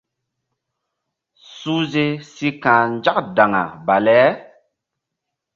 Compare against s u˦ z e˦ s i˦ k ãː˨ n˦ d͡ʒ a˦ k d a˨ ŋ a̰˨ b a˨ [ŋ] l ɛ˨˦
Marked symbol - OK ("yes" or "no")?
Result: no